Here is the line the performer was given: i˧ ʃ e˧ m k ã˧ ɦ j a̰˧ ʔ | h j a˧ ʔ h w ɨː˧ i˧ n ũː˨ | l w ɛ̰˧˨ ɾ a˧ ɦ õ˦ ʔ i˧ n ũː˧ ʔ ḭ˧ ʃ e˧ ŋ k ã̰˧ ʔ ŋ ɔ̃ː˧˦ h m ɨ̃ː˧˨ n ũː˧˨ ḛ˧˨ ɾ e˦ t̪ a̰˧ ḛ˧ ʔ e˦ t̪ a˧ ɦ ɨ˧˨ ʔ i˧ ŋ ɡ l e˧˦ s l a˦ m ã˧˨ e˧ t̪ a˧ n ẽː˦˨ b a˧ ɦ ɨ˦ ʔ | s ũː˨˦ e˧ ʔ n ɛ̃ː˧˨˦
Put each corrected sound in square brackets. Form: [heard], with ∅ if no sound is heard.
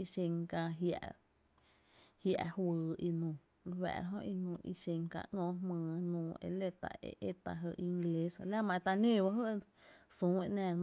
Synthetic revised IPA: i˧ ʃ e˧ [ŋ] k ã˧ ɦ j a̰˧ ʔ | h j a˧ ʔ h w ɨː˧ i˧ n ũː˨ | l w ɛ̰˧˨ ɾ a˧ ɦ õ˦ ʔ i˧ n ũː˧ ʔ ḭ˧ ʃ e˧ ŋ k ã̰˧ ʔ ŋ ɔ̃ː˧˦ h m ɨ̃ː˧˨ n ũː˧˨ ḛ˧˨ [l] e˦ t̪ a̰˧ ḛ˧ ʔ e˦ t̪ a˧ ɦ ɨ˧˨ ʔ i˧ ŋ ɡ l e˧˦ s l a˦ m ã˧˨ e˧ t̪ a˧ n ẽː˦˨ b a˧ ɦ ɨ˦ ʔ | s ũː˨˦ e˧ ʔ n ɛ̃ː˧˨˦